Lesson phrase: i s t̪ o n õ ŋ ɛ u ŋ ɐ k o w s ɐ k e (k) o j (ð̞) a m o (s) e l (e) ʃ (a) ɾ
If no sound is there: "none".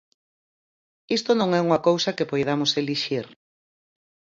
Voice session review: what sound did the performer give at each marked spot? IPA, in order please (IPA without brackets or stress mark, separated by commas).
p, ð̞, s, i, i